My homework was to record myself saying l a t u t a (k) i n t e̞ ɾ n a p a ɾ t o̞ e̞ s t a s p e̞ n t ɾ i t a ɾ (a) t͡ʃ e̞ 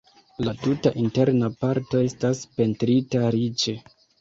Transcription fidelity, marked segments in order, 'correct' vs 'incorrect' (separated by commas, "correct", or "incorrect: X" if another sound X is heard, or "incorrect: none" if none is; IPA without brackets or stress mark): incorrect: ʔ, incorrect: i